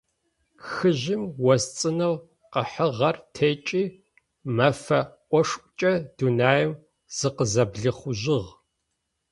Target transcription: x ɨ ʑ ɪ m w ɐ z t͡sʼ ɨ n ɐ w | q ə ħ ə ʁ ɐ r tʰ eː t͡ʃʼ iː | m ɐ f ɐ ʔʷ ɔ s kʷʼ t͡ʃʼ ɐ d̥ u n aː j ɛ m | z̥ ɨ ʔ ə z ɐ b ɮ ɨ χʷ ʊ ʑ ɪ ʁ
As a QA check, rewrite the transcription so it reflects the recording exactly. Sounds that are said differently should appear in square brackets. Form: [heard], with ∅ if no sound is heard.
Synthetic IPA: x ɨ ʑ ɪ m w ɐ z t͡sʼ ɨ n ɐ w | q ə ħ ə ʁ ɐ r tʰ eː t͡ʃʼ iː | m ɐ f ɐ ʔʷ ɔ [ʂ] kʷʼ t͡ʃʼ ɐ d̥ u n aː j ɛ m | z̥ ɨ [q] ə z ɐ b ɮ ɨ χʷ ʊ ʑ ɪ ʁ